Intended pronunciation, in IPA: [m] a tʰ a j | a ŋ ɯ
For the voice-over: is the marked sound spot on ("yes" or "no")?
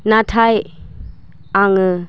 no